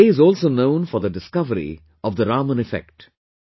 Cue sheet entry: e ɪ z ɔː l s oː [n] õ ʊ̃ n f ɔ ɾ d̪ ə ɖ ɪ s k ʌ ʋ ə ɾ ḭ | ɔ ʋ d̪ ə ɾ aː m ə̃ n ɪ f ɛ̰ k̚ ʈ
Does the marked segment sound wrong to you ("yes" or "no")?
no